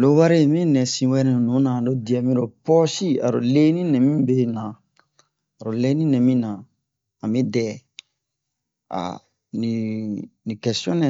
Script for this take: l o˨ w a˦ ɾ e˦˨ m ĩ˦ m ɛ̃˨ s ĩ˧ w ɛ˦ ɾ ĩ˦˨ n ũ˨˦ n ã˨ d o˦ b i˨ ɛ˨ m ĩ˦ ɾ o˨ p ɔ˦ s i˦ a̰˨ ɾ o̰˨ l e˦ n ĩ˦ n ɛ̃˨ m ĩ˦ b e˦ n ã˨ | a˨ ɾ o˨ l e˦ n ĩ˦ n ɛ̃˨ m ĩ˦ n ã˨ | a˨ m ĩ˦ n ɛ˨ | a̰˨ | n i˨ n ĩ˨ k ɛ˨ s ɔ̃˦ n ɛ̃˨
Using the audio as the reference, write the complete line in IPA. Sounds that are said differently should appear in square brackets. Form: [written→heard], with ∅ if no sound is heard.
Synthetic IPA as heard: l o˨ w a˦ ɾ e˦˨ m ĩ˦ [m→n] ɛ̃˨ s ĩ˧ w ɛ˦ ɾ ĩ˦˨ n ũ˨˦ n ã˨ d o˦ [b→d] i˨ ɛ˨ m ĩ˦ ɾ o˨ p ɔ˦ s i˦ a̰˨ ɾ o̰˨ l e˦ n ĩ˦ n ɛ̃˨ m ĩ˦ b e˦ n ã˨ | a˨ ɾ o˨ l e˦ n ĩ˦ n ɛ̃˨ m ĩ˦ n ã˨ | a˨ m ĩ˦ [n→d] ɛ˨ | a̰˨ | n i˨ n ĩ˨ k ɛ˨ s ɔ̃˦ n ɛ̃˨